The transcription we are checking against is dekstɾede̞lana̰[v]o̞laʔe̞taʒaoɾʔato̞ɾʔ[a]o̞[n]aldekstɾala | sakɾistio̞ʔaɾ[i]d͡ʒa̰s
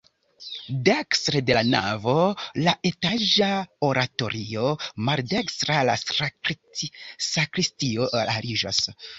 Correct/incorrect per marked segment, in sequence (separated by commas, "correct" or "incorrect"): correct, incorrect, incorrect, correct